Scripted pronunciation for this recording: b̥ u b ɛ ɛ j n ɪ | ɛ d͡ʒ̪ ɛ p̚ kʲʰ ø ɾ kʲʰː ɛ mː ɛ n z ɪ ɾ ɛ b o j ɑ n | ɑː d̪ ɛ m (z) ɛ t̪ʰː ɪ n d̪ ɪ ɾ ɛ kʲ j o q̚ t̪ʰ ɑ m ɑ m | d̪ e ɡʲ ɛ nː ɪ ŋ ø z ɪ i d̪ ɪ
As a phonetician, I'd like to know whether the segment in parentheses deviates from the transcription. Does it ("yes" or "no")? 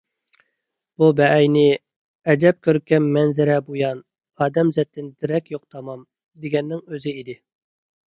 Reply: no